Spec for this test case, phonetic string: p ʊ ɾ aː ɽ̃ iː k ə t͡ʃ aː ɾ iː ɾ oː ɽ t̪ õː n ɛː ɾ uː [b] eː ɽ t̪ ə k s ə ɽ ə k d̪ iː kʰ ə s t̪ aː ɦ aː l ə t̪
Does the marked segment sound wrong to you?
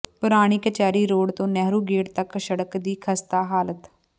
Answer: yes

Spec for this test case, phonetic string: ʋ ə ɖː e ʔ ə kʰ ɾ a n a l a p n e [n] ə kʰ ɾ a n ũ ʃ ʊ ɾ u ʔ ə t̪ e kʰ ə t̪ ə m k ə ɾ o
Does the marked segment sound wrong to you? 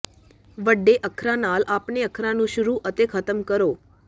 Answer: yes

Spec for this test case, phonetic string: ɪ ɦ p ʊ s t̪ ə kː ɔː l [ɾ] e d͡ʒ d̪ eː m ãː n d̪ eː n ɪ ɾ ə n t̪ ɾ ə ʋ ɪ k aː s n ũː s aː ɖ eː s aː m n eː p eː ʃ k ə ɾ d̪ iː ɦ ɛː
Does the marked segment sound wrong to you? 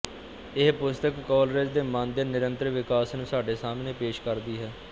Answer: no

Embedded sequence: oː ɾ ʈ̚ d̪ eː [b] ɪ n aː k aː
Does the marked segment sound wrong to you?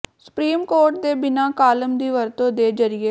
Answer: no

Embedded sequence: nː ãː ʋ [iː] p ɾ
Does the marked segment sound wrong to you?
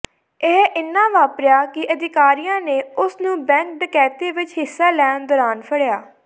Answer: yes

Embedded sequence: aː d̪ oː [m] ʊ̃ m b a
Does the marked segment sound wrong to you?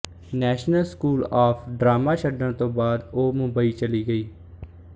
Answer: no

